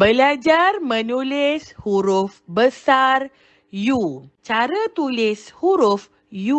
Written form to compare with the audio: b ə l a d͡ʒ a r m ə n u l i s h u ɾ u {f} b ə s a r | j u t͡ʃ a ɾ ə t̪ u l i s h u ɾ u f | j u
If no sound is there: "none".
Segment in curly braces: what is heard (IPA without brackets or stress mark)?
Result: f